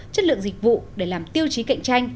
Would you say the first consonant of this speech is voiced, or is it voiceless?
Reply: voiceless